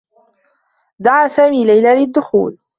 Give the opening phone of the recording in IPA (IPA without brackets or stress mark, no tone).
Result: d̪